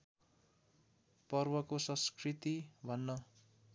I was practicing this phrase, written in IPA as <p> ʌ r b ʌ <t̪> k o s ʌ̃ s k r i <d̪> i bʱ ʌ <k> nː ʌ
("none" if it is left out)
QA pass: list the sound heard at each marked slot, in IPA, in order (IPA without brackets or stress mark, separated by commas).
p, none, t̪, none